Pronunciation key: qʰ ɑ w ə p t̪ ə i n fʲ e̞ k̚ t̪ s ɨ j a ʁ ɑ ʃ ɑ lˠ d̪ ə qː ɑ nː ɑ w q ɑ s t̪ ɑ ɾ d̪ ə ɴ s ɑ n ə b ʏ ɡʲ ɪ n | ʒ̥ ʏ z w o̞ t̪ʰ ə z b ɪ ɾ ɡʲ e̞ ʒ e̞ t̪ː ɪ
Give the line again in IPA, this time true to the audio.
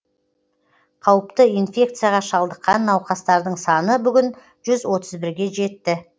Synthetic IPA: qʰ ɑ w ə p t̪ ə i n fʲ e̞ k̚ t̪ s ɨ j a ʁ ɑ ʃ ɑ lˠ d̪ ə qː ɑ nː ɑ w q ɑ s t̪ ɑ ɾ d̪ ə ɴ s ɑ n ə b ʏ ɡʲ ɪ n | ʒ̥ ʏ z w o̞ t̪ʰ ə z b ɪ ɾ ɡʲ e̞ ʒ e̞ t̪ː ɪ

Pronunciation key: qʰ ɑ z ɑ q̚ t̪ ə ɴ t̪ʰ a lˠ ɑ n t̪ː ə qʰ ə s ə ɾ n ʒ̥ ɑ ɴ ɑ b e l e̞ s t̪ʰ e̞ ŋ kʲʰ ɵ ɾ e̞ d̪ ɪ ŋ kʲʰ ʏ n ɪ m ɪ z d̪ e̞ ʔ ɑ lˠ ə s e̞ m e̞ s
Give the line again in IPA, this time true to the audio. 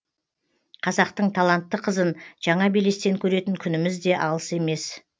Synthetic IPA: qʰ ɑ z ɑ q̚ t̪ ə ɴ t̪ʰ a lˠ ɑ n t̪ː ə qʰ ə z ə n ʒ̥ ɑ ɴ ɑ b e l e̞ s t̪ e̞ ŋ kʲʰ ɵ ɾ e̞ t̪ ɪ ŋ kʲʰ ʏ n ɪ m ɪ z d̪ e̞ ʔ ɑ lˠ ə s e̞ m e̞ s

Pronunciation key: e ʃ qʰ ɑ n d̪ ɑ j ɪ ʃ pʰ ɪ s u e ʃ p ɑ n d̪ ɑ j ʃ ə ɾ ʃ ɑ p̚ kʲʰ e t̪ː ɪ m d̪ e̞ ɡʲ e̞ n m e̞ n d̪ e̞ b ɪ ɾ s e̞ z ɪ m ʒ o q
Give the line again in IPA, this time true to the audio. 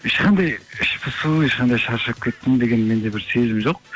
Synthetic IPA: e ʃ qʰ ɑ n d̪ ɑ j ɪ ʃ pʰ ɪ s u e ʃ q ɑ n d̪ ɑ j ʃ ɑ ɾ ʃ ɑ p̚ kʲʰ e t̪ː ɪ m d̪ e̞ ɡʲ e̞ n m e̞ n d̪ e̞ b ɪ ɾ s e̞ z ɪ m ʒ o q

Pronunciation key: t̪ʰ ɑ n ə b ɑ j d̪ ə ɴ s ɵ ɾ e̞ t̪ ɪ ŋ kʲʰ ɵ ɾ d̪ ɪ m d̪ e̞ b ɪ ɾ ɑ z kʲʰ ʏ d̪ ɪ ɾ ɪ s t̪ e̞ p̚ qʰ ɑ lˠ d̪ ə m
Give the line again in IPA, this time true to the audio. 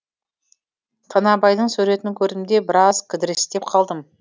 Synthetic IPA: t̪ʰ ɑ n ɑ b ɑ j d̪ ə ɴ s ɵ ɾ e̞ t̪ ɪ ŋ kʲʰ ɵ ɾ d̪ ɪ m d̪ e̞ b ɪ ɾ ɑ z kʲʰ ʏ d̪ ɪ ɾ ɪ s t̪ e̞ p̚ qʰ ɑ lˠ d̪ ə m

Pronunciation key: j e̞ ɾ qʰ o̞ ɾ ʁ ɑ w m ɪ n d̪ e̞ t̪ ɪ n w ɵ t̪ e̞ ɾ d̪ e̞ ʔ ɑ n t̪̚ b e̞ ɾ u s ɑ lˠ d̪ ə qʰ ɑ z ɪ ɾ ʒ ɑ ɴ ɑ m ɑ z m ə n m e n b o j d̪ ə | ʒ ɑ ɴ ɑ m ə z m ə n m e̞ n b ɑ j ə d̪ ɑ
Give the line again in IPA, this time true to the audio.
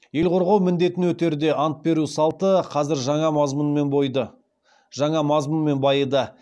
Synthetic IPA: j e̞ l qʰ o̞ ɾ ʁ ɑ w m ɪ n d̪ e̞ t̪ ɪ n w ɵ t̪ e̞ ɾ d̪ e̞ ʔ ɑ n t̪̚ b e̞ ɾ u s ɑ lˠ t̪ ə qʰ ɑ z ɪ ɾ ʒ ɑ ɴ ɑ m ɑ z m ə n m e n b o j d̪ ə | ʒ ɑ ɴ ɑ m ɑ z m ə n m e̞ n b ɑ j ə d̪ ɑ

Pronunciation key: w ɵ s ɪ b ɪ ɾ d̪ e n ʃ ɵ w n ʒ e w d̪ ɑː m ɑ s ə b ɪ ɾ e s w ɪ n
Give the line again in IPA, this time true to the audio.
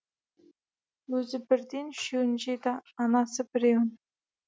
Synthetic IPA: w ɵ z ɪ b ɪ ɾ d̪ e n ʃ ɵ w n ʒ e d̪ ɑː n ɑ s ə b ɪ ɾ e w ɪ n

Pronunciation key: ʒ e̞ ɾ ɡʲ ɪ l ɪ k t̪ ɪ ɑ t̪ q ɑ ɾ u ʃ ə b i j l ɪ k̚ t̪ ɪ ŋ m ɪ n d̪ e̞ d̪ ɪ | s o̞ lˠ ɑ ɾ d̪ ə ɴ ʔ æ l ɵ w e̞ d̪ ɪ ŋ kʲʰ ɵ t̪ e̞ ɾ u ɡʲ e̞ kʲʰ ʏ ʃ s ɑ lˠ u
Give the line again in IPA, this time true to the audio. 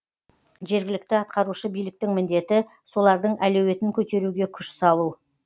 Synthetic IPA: ʒ e̞ ɾ ɡʲ ɪ l ɪ k t̪ ɪ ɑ t̪ q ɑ ɾ u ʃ ə b i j l ɪ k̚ t̪ ɪ ŋ m ɪ n d̪ e̞ t̪ ɪ | s o̞ lˠ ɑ ɾ d̪ ə ɴ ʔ æ l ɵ w e̞ t̪ ɪ ŋ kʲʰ ɵ t̪ e̞ ɾ u ɡʲ e̞ kʲʰ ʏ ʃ s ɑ lˠ u

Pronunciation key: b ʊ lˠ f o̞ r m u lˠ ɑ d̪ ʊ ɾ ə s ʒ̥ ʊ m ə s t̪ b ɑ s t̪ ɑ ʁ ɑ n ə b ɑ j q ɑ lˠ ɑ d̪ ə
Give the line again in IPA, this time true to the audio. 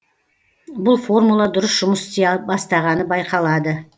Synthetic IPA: b ʊ lˠ f o̞ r m u lˠ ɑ d̪ ʊ ɾ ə s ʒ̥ ʊ m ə s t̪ b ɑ s t̪ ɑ ʁ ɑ n ə b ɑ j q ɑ lˠ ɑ d̪ ə

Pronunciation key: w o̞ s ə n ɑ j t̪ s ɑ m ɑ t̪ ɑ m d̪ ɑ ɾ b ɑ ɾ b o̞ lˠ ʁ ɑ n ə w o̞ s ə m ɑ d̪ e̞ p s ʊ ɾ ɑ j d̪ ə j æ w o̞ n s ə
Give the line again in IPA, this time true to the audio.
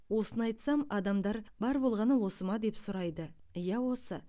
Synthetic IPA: w o̞ s ə n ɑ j t̪ s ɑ m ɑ d̪ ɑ m d̪ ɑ ɾ b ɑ ɾ b o̞ lˠ ʁ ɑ n ə w o̞ s ə m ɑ d̪ e̞ p s ʊ ɾ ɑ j d̪ ə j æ w o̞ s ə

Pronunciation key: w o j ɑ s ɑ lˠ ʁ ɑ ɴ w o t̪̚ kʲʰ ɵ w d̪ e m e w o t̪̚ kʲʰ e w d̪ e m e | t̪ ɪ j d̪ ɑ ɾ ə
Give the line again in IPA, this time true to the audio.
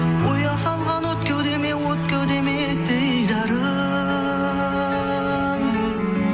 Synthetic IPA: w o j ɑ s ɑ lˠ ʁ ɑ n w o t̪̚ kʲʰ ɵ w d̪ e m e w o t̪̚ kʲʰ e w d̪ e m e | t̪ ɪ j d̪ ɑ ɾ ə

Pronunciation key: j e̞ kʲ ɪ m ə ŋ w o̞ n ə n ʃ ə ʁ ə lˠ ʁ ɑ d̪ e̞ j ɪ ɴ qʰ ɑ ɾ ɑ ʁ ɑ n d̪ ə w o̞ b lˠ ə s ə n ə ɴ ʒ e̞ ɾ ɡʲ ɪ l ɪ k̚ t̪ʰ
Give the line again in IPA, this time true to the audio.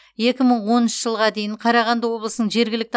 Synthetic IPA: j e̞ kʲ ɪ m ə ɴ w o̞ n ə n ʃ ə ʒ ə lˠ ʁ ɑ d̪ e̞ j ɪ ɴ qʰ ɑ ɾ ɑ ʁ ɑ n d̪ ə w o̞ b lˠ ə s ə n ə ɴ ʒ e̞ ɾ ɡʲ ɪ l ɪ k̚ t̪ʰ

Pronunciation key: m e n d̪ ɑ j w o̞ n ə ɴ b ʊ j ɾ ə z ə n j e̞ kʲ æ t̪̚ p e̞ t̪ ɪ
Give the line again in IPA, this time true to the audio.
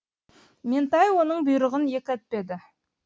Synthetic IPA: m e n t̪ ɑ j w o̞ n ə ɴ b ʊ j ɾ ə ʁ ə n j e̞ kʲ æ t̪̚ p e̞ d̪ ɪ

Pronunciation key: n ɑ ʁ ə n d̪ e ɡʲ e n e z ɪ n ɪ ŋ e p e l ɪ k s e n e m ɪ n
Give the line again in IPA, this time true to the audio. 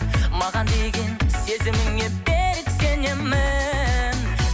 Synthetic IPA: m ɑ ʁ ɑ n d̪ e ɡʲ e n e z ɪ m ɪ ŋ e b e ɾ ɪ k s e n e m ɪ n

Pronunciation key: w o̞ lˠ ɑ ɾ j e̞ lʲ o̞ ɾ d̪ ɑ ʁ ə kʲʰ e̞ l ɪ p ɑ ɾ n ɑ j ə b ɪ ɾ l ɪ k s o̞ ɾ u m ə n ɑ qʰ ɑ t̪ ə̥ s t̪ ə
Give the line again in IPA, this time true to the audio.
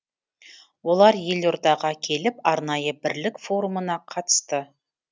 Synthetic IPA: w o̞ lˠ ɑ ɾ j e̞ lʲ o̞ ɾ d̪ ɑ ʁ ɑ kʲʰ e̞ l ɪ p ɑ ɾ n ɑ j ə b ɪ ɾ l ɪ k f o̞ ɾ u m ə n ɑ qʰ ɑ t̪ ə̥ s t̪ ə

